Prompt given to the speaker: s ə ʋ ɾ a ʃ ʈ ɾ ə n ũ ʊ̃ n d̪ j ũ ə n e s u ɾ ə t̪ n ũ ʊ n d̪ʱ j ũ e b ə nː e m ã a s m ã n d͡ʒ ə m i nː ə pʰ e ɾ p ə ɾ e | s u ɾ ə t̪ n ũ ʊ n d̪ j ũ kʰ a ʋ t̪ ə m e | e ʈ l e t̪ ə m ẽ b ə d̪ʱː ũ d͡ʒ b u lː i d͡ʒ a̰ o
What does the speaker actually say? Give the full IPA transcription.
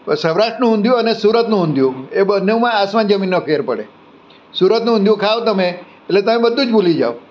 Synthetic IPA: s ə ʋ ɾ a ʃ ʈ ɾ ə n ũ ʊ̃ n d̪ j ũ ə n e s u ɾ ə t̪ n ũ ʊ n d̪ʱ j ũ e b ə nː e m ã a s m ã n d͡ʒ ə m i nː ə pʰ e ɾ p ə ɽ e | s u ɾ ə t̪ n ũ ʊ n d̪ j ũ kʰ a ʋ t̪ ə m e | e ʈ l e t̪ ə m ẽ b ə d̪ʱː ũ d͡ʒ b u l i d͡ʒ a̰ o